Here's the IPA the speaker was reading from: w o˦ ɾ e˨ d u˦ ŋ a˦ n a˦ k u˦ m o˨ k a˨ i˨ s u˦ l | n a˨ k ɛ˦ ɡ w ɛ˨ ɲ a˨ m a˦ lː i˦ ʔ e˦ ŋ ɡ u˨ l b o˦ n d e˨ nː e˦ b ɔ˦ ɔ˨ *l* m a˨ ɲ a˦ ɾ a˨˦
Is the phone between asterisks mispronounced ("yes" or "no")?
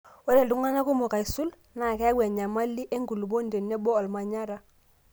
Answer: no